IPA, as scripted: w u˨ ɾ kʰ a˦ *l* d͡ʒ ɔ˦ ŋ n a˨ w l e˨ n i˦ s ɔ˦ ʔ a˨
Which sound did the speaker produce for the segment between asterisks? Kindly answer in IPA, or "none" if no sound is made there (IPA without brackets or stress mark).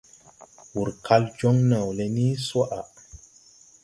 l